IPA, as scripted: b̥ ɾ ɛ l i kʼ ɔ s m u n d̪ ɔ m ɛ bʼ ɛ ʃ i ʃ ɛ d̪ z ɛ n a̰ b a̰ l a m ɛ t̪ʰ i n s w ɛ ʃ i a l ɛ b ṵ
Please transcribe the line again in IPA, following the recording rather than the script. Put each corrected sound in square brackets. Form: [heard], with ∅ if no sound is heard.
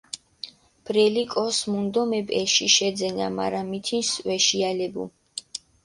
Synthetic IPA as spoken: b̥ ɾ ɛ l i kʼ ɔ s m u n d̪ ɔ m ɛ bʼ ɛ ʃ i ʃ ɛ d̪ z ɛ n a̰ [m] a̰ [ɾ] a m [i] t̪ʰ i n s w ɛ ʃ i a l ɛ b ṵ